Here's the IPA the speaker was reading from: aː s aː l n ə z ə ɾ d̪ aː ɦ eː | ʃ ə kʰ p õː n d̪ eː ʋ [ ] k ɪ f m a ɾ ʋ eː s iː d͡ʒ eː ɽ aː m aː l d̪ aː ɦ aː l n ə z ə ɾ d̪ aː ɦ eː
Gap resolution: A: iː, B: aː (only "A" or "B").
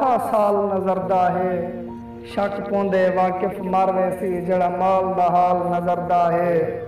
B